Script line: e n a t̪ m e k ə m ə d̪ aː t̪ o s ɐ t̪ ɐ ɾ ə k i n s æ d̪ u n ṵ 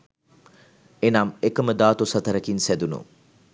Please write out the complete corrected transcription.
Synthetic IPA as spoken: e n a m e k ə m ə d̪ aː t̪ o s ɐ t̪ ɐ ɾ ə k i n s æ d̪ u n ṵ